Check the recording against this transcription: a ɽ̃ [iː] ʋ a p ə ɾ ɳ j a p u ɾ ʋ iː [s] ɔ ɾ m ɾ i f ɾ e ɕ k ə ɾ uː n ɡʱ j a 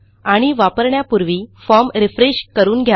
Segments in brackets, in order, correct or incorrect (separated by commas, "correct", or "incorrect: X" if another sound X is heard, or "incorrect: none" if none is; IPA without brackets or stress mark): incorrect: i, incorrect: f